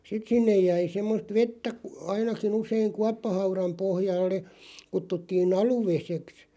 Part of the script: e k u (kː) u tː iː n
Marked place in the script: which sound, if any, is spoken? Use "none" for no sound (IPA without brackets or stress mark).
tː